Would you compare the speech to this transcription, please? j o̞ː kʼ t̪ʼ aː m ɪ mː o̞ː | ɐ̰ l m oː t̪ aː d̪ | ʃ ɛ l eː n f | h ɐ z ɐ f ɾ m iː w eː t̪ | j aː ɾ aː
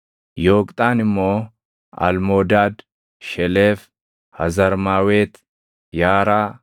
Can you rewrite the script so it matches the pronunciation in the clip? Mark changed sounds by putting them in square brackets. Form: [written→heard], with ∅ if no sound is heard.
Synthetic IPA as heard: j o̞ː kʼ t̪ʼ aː [m→n] ɪ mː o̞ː | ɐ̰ l m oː [t̪→d̪] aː d̪ | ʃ ɛ l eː [n→∅] f | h ɐ z ɐ [f→∅] ɾ m [iː→aː] w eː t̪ | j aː ɾ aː